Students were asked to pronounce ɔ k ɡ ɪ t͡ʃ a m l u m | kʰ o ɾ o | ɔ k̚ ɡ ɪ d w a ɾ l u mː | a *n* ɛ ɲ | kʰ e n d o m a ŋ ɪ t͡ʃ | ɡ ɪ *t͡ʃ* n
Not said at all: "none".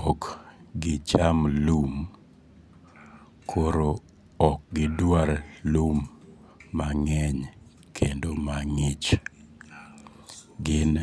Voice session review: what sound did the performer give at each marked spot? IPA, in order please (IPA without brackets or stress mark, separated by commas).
ŋ, none